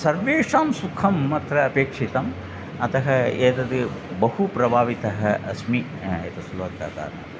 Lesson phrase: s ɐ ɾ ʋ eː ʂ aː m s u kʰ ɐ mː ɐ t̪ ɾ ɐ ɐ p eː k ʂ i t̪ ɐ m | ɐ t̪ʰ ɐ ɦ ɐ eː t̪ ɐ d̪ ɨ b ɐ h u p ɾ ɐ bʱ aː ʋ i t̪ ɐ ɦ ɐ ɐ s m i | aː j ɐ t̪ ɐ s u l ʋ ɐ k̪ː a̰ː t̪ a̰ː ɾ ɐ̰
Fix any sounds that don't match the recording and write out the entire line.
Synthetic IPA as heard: s ɐ ɾ ʋ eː ʂ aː m s u kʰ ɐ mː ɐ t̪ ɾ ɐ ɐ p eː k ʂ i t̪ ɐ m | ɐ t̪ ɐ ɦ ɐ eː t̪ ɐ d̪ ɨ b ɐ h u p ɾ ɐ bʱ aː ʋ i t̪ ɐ ɦ ɐ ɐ s m i | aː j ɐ t̪ ɐ s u l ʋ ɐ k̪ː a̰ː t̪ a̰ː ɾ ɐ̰